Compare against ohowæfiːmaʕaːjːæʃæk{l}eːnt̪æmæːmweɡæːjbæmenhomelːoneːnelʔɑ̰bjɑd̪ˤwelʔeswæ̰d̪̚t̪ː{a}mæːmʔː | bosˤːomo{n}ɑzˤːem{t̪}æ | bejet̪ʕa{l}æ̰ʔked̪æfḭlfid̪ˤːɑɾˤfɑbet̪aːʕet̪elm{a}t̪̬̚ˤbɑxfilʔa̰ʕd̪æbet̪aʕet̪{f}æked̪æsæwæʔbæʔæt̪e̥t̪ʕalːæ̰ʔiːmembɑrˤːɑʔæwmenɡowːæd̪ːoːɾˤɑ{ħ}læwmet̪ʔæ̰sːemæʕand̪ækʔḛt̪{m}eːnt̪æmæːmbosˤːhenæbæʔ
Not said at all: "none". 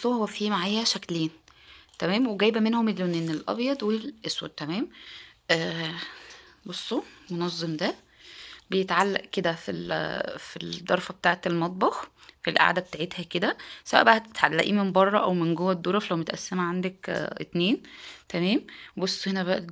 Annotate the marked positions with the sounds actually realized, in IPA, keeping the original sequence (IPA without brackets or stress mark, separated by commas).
l, æ, n, d̪, lː, ɑ, h, f, n